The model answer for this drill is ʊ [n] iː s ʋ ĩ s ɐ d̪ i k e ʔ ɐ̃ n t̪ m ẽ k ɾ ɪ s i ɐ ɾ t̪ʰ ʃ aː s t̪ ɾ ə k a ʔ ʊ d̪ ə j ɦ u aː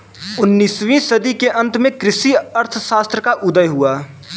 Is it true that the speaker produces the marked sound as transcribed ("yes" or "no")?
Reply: no